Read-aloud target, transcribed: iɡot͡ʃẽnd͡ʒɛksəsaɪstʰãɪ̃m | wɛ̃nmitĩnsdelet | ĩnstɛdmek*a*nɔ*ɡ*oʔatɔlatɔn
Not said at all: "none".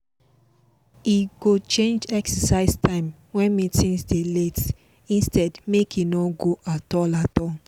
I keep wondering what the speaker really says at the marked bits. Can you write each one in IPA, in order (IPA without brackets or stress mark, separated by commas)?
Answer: i, ɡ